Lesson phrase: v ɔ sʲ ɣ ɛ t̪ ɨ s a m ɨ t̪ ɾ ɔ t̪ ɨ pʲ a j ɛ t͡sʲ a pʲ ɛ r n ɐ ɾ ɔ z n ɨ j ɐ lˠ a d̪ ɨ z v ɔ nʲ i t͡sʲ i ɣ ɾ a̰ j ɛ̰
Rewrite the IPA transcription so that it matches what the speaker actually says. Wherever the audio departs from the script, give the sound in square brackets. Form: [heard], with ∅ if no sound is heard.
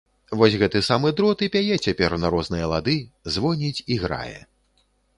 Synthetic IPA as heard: v ɔ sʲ ɣ ɛ t̪ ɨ s a m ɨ [d̪] ɾ ɔ t̪ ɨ pʲ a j ɛ t͡sʲ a pʲ ɛ r n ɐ ɾ ɔ z n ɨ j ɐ lˠ a d̪ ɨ z v ɔ nʲ i t͡sʲ i ɣ ɾ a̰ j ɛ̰